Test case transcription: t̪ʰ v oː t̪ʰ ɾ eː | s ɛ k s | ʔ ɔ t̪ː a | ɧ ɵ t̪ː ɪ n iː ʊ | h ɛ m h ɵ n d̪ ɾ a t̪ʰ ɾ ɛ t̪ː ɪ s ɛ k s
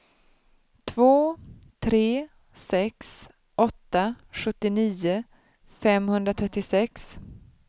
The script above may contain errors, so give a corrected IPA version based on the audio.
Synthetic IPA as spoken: t̪ʰ v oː t̪ʰ ɾ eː | s ɛ k s | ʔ ɔ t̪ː a | ɧ ɵ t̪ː ɪ n iː ʊ | f ɛ m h ɵ n d̪ ɾ a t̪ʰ ɾ ɛ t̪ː ɪ s ɛ k s